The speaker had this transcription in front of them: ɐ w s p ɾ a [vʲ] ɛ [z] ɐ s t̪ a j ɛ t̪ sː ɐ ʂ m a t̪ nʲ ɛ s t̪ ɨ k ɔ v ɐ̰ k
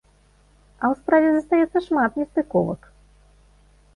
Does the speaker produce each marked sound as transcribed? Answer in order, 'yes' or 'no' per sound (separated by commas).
yes, yes